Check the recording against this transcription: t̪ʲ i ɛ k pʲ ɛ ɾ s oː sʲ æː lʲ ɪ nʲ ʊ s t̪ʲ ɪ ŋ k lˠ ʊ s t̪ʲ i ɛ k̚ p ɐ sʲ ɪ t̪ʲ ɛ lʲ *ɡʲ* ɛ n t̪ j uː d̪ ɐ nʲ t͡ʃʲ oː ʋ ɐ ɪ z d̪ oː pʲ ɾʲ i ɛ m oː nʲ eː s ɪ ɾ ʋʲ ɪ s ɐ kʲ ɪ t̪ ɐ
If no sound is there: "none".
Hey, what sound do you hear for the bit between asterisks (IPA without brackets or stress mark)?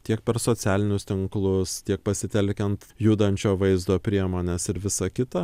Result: kʲ